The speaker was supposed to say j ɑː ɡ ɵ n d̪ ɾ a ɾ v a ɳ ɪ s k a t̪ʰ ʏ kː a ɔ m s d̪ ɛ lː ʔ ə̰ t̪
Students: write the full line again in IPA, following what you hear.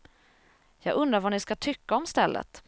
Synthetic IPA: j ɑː ɡ ɵ n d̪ ɾ a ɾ v a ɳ ɪ s k a t̪ʰ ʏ kː a ɔ m s t̪ ɛ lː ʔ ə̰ t̪